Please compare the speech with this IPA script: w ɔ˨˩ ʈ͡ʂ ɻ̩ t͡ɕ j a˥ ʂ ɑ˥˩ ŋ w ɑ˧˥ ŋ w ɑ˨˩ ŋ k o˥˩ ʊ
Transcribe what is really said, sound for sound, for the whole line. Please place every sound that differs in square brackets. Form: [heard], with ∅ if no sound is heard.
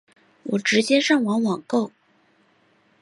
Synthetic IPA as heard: w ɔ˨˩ ʈ͡ʂ ɻ̩ t͡ɕ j [ɛ˥] ʂ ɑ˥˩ ŋ w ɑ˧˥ ŋ w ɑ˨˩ ŋ k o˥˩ ʊ